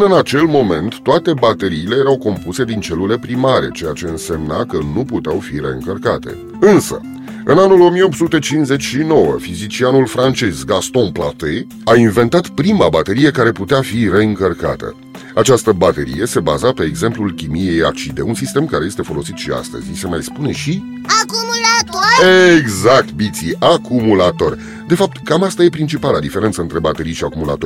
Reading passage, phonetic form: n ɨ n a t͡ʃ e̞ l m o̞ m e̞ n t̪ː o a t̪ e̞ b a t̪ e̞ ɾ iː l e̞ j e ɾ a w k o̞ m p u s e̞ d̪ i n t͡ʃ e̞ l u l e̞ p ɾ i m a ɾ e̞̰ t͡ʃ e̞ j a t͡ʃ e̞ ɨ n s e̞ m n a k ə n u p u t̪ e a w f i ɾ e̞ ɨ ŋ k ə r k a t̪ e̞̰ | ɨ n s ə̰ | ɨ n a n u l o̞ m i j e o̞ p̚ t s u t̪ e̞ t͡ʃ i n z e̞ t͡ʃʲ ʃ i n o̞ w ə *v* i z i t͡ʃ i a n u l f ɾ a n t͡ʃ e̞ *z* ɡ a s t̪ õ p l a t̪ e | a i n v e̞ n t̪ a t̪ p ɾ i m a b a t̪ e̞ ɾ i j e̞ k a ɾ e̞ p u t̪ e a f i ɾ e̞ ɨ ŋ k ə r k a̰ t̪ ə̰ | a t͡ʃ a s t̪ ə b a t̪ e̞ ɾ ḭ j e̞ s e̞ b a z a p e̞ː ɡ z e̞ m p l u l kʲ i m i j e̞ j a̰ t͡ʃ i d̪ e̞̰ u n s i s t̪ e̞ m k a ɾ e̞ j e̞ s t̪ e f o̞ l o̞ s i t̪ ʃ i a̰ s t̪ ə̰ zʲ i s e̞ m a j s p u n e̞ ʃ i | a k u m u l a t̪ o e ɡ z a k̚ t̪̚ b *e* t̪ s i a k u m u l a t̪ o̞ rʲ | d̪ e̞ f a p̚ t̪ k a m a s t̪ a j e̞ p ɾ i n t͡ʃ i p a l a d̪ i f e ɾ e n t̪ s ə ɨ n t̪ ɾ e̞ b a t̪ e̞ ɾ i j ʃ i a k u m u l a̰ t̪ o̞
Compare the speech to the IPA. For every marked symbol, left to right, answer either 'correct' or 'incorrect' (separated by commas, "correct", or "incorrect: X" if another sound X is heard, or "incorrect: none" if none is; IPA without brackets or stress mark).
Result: incorrect: f, correct, incorrect: i